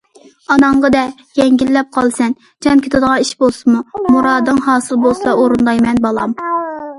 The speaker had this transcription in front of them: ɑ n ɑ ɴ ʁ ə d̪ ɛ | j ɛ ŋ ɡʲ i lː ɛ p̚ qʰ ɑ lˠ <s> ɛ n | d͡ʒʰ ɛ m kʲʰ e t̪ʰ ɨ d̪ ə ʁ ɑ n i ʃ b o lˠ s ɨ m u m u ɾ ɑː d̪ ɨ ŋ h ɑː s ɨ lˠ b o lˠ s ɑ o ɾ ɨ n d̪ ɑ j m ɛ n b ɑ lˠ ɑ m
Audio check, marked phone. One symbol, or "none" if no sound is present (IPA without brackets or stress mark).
s